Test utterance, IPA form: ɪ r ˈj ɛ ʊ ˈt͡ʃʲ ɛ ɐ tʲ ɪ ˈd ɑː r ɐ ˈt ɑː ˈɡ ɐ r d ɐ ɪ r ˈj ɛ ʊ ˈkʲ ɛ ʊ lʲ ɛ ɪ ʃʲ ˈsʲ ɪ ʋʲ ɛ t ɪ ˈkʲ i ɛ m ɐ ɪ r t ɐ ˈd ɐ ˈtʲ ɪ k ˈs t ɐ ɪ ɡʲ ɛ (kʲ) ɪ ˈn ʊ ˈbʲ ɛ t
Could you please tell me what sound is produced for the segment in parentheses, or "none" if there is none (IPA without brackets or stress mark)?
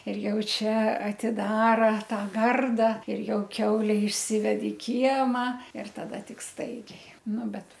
none